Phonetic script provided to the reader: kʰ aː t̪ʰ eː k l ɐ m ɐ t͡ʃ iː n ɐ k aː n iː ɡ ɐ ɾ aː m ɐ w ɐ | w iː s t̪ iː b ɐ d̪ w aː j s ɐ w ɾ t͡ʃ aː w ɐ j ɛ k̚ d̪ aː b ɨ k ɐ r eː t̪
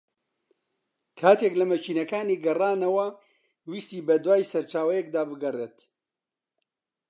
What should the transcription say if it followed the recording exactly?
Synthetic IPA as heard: kʰ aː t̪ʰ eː k l ɐ m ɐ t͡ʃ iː n ɐ k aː n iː ɡ ɐ r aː n ɐ w ɐ | w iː s t̪ iː b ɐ d̪ w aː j s ɐ ɾ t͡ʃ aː w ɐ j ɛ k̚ d̪ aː b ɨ ɡ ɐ r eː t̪